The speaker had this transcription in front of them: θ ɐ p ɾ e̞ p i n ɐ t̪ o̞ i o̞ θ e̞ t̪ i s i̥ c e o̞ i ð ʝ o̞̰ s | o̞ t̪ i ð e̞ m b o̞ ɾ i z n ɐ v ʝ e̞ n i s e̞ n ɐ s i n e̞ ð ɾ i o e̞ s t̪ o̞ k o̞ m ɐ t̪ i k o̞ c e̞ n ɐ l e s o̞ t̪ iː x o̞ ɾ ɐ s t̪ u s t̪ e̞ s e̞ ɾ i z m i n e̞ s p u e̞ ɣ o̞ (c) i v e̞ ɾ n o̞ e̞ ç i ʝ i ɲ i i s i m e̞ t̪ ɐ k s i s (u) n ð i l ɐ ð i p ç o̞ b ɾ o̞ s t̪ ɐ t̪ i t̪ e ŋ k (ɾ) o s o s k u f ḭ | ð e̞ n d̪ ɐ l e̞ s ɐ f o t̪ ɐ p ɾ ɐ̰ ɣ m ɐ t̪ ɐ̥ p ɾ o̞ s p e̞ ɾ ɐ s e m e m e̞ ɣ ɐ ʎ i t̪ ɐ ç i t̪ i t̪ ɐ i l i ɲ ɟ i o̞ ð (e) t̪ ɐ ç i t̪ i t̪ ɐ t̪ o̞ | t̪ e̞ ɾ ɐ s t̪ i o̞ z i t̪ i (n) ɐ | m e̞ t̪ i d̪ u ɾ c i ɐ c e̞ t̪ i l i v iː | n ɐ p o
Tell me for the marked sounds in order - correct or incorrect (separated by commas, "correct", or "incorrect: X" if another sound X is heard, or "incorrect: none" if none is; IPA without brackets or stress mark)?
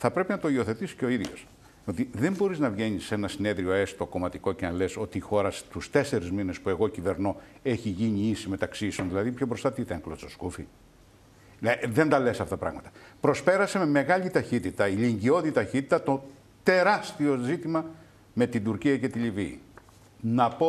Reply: correct, incorrect: o, incorrect: l, incorrect: i, incorrect: m